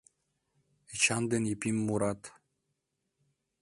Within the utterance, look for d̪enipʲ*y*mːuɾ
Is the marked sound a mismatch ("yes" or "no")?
yes